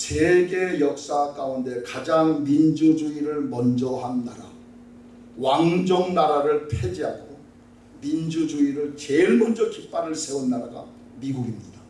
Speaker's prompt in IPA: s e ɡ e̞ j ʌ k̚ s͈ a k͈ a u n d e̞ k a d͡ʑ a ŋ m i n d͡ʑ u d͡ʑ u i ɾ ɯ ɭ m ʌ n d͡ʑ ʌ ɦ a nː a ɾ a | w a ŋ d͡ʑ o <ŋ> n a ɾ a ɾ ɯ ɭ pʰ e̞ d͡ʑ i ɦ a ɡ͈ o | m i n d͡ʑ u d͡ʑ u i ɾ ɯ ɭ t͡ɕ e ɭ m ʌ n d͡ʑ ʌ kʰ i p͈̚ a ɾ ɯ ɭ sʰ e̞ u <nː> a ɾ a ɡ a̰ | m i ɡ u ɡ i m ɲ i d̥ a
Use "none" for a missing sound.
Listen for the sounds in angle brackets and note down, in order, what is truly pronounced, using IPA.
ŋ, nː

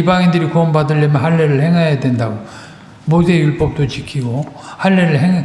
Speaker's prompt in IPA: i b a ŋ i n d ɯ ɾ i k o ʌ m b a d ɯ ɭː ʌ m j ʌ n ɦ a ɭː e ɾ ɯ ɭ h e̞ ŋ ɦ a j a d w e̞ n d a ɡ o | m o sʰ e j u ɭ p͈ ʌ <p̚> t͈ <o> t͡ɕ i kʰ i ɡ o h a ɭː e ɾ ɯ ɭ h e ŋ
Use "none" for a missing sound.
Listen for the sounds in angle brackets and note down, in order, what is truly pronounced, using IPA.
p̚, o

